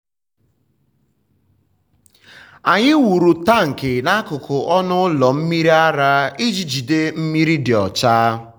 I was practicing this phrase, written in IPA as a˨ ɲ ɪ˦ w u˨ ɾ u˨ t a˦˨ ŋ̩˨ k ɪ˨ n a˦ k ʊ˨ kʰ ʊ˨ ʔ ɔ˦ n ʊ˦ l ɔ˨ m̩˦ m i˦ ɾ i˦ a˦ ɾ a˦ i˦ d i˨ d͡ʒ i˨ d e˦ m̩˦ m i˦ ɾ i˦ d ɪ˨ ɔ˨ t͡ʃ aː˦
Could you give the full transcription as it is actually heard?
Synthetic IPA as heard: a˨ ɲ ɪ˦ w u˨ ɾ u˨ t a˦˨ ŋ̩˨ k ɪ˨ n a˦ k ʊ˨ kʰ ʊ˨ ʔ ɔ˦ n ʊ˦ l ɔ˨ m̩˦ m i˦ ɾ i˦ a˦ ɾ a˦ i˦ d͡ʒ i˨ d͡ʒ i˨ d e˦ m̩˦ m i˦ ɾ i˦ d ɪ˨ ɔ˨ t͡ʃ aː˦